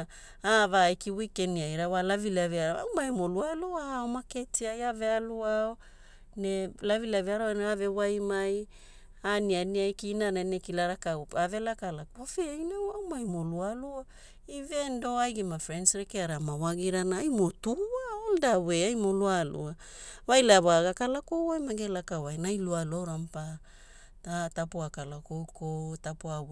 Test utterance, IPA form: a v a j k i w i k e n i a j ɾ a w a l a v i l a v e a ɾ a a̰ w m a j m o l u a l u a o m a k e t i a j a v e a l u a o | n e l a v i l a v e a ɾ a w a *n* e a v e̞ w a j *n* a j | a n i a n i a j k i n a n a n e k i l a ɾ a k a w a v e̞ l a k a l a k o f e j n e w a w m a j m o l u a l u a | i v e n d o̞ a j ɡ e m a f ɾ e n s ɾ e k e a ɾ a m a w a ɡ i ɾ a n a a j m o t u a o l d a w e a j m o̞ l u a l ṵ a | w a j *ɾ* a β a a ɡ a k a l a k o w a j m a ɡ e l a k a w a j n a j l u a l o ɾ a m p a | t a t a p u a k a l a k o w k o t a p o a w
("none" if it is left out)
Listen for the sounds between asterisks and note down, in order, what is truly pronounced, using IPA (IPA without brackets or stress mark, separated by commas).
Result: n, m, l